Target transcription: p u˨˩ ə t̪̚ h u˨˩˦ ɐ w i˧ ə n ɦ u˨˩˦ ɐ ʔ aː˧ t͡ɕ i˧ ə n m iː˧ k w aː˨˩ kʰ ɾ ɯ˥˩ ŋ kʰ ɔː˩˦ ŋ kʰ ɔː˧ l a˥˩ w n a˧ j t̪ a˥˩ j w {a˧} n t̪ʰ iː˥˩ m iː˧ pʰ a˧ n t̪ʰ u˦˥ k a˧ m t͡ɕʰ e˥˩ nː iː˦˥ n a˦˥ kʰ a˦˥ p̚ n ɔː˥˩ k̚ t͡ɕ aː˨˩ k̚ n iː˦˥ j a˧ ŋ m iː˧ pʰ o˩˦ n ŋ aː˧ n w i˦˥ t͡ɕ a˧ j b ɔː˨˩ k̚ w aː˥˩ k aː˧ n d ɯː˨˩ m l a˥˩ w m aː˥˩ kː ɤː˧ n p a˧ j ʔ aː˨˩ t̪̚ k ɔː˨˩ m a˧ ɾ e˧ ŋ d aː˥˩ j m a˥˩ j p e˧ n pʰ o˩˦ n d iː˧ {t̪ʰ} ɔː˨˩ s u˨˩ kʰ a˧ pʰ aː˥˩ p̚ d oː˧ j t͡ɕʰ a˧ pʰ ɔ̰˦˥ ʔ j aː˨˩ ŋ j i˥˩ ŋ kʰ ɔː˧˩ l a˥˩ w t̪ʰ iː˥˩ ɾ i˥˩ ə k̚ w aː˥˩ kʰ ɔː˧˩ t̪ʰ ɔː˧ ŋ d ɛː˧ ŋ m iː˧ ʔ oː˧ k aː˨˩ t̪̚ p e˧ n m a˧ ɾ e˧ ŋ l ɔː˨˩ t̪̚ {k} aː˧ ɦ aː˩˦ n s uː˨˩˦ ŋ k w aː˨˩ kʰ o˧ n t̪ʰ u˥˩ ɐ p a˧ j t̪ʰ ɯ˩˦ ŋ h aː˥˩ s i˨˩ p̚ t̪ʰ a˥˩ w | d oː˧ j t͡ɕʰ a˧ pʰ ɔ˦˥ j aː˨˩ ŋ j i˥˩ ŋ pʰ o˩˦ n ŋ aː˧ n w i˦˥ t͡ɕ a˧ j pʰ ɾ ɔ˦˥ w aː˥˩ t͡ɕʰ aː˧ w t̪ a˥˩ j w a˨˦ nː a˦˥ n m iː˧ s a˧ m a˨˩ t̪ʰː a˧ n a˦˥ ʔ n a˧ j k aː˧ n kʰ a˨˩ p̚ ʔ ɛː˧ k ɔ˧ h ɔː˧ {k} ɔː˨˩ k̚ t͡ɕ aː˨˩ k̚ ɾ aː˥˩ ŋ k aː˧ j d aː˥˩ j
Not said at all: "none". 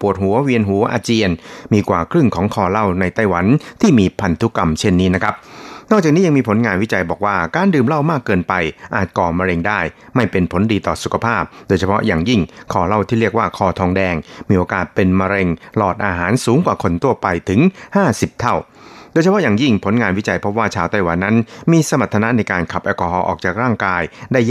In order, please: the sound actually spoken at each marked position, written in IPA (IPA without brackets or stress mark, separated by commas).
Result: a˩˦, t̪, ʔ, ʔ